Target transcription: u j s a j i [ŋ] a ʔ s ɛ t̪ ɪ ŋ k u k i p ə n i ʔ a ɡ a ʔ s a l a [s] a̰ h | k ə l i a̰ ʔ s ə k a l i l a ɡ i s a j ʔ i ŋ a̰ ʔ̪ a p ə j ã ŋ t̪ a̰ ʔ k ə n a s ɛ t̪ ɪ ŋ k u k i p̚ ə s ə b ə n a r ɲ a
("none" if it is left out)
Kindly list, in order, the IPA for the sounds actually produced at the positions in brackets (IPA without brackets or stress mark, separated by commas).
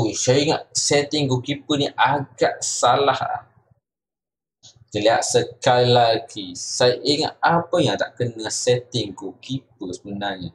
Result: ŋ, h